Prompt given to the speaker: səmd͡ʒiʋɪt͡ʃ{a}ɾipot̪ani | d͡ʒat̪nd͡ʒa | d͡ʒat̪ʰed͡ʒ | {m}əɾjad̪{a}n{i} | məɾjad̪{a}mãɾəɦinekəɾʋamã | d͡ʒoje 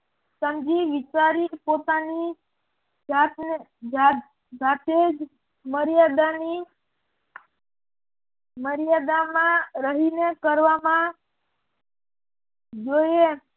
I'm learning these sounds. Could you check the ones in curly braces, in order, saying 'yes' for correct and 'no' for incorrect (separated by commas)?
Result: yes, yes, yes, yes, yes